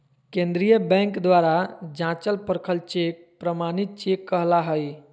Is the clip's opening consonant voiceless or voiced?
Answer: voiceless